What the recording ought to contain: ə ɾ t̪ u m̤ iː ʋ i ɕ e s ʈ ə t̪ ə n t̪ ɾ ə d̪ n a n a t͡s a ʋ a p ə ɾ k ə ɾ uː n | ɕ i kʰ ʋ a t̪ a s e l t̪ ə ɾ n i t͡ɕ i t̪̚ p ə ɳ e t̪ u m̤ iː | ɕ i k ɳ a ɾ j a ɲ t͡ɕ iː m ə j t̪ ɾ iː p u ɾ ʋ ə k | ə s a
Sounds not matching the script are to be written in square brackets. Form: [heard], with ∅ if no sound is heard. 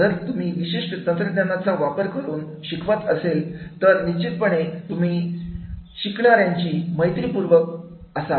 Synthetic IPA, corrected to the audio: ə ɾ t̪ u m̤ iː ʋ i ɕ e [ʂ] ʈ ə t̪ ə n t̪ ɾ ə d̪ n a n a t͡s a ʋ a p ə ɾ k ə ɾ uː n | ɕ i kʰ ʋ a t̪ [ə] s e l t̪ ə ɾ n i t͡ɕ i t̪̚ p ə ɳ e t̪ u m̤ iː | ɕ i k ɳ a ɾ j a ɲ t͡ɕ iː m ə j t̪ ɾ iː p u ɾ ʋ ə k | ə s a